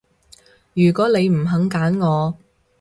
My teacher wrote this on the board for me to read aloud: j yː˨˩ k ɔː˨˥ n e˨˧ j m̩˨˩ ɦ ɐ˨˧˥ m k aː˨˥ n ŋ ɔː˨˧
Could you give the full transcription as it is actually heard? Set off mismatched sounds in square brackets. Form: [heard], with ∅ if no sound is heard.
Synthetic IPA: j yː˨˩ k ɔː˨˥ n e˨˧ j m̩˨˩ ɦ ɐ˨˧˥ [ŋ] k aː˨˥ n ŋ ɔː˨˧